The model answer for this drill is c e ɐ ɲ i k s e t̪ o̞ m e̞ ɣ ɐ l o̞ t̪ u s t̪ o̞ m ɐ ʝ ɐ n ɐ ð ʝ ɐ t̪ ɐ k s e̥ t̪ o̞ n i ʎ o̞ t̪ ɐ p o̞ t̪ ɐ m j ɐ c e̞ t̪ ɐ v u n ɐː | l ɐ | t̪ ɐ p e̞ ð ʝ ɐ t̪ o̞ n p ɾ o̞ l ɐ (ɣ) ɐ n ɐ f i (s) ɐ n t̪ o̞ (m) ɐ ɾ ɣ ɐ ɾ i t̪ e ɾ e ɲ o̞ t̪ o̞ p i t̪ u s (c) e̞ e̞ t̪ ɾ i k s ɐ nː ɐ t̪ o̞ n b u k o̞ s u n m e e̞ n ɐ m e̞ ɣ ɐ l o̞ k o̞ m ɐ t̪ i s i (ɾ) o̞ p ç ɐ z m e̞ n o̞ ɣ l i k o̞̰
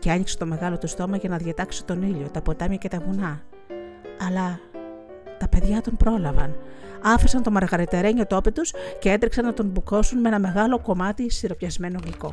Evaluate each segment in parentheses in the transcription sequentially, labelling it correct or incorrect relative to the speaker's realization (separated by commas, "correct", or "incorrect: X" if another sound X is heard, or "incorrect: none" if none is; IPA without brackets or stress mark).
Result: incorrect: v, correct, correct, correct, correct